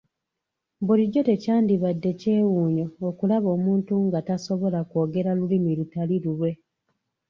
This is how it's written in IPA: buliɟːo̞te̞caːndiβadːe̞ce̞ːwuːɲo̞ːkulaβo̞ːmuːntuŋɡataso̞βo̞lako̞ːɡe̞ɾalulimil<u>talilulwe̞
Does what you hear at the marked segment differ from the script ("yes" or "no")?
no